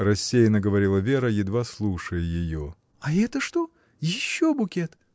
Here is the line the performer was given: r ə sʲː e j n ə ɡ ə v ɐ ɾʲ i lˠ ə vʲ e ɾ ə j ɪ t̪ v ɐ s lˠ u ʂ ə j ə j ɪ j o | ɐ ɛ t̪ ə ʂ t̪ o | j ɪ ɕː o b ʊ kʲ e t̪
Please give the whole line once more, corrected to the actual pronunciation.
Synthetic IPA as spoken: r ɐ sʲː e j n ə ɡ ə v ɐ ɾʲ i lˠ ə vʲ e ɾ ə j ɪ d̪ v a s lˠ u ʂ ə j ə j ɪ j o | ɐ ɛ t̪ ə ʂ t̪ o | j ɪ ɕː o b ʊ kʲ e t̪